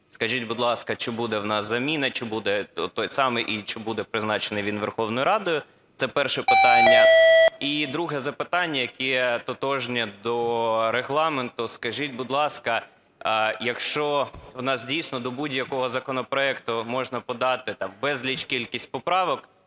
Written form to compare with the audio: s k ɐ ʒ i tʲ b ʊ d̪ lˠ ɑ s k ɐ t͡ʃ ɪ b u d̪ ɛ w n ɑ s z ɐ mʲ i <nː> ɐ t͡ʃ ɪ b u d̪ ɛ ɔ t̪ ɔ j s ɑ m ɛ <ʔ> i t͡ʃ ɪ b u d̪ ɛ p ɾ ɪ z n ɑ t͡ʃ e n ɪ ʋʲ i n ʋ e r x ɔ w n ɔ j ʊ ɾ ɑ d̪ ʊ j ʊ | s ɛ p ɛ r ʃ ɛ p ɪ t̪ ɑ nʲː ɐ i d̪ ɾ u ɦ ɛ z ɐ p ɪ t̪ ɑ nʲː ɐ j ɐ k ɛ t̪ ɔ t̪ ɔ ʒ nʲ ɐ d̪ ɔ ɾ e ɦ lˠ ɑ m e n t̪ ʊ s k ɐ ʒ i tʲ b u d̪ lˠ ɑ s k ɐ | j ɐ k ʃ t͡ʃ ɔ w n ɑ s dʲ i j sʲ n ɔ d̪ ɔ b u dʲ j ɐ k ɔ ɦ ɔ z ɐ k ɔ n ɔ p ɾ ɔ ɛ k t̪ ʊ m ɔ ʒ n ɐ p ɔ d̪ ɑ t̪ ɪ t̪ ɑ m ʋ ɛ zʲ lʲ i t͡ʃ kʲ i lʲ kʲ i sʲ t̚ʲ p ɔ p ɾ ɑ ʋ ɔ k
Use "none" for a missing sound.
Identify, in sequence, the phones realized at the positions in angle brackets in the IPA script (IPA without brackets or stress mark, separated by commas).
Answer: n, ʔ